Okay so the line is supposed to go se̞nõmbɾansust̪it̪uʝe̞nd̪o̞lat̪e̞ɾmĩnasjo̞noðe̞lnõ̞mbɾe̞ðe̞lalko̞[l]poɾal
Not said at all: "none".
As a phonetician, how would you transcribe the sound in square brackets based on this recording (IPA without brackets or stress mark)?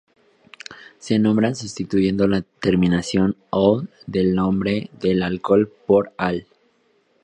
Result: l